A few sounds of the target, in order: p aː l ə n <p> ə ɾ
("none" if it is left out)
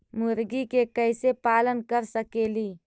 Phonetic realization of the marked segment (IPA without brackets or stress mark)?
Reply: k